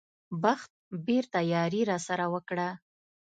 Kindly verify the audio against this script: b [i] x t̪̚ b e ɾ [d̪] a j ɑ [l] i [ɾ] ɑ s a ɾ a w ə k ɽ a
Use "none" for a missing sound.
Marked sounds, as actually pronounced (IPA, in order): a, t̪, ɾ, ɾ

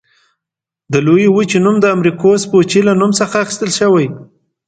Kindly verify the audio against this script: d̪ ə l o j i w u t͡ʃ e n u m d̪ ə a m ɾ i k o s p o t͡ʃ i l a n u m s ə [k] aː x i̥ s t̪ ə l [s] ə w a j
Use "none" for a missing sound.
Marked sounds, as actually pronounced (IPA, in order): x, ʃ

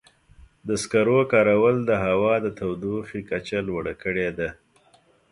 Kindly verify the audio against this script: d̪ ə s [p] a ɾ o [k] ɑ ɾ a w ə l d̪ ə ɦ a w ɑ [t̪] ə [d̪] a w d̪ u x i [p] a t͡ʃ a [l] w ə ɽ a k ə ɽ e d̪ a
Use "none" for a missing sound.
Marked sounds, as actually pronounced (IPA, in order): k, k, d̪, t̪, k, l

